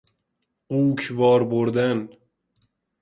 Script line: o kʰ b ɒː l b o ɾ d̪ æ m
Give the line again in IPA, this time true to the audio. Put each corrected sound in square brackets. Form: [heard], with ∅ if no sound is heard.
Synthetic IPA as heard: [u] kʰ [v] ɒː [ɾ] b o ɾ d̪ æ [n]